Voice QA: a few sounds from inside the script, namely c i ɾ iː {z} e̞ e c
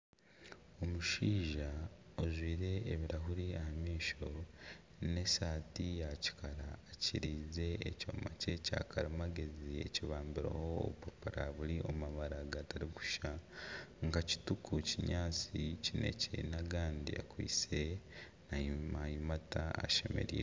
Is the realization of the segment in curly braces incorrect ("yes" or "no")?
no